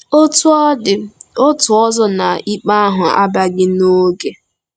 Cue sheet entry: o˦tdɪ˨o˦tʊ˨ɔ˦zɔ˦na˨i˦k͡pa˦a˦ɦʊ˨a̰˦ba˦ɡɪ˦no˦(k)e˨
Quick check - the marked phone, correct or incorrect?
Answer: incorrect